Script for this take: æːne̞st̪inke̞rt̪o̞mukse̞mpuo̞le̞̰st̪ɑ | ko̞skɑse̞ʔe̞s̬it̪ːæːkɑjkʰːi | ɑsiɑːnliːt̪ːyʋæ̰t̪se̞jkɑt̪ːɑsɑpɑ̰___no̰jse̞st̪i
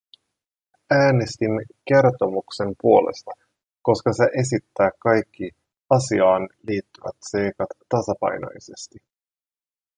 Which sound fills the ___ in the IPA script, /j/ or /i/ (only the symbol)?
j